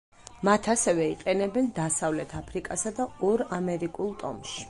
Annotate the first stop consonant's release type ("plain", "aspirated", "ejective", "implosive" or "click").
aspirated